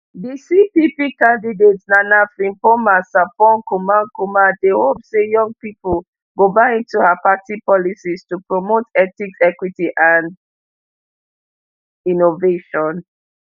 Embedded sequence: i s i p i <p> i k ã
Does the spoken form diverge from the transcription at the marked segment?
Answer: no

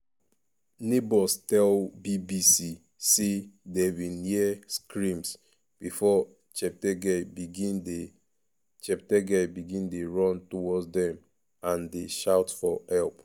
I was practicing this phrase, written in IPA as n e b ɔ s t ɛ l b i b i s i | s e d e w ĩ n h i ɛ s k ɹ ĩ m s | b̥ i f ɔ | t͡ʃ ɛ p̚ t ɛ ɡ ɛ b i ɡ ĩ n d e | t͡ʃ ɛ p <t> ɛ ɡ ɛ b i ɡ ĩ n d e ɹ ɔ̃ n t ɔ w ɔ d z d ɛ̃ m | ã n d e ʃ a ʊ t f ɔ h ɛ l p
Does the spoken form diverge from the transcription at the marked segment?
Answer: no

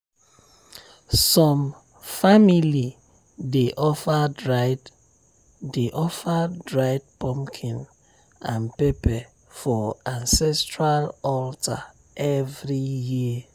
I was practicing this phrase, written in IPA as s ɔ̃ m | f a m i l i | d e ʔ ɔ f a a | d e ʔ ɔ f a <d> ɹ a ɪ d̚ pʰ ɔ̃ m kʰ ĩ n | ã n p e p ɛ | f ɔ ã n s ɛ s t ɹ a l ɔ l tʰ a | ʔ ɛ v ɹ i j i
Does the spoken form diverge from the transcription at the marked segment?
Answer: no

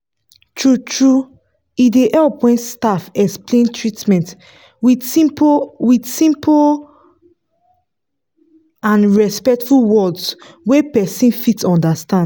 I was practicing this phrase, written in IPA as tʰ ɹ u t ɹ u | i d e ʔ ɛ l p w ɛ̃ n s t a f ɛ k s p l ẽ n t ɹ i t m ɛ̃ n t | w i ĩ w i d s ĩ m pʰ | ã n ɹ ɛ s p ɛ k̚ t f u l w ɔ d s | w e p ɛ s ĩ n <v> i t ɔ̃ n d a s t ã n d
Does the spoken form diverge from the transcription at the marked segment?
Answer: yes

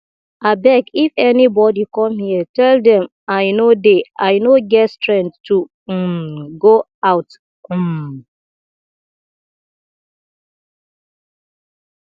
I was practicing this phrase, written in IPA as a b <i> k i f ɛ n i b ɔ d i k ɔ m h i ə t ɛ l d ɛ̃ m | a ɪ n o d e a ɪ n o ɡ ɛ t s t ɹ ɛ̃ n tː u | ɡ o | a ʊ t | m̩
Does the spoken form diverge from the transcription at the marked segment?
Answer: yes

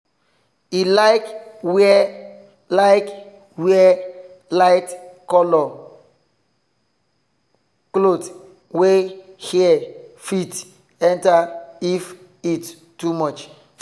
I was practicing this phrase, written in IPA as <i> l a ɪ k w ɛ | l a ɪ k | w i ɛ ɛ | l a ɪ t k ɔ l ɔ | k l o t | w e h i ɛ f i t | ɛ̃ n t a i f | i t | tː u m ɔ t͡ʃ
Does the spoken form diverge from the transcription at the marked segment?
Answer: no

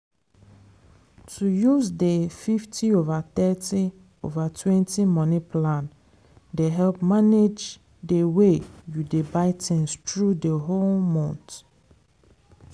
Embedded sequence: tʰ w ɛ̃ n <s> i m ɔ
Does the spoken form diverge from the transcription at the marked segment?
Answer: yes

